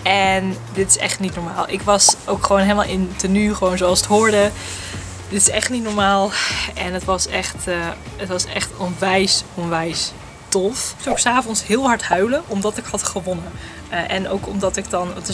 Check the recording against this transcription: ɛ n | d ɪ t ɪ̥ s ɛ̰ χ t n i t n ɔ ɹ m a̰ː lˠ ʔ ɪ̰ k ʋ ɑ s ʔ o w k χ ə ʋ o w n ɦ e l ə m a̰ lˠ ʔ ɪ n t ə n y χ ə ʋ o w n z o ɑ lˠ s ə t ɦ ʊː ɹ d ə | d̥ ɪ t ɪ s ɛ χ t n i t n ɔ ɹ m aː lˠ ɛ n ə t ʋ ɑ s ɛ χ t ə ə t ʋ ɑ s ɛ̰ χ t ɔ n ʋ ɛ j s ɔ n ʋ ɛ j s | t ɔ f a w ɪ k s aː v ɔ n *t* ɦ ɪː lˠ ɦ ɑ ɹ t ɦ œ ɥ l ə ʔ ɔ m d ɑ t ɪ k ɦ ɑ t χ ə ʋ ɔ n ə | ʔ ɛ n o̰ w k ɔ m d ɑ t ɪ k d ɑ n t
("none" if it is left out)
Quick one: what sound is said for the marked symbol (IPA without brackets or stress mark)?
s